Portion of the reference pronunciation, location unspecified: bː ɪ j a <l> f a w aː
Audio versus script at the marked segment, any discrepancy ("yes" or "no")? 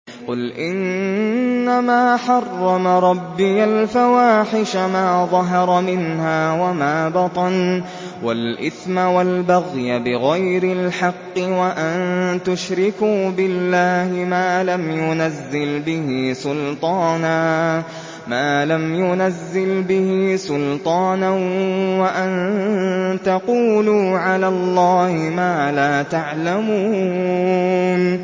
no